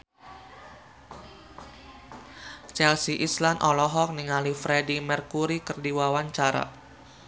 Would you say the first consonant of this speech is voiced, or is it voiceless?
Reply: voiceless